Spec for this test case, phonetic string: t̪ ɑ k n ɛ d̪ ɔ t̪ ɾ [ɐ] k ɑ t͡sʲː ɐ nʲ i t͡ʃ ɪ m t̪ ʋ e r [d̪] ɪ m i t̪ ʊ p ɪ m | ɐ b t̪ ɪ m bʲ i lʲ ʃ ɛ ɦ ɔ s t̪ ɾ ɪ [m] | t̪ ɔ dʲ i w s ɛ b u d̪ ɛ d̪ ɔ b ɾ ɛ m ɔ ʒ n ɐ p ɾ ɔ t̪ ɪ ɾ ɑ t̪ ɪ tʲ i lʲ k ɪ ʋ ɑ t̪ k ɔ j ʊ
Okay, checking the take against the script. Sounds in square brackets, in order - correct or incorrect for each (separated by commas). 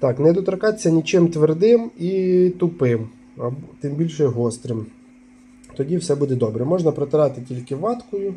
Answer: correct, correct, correct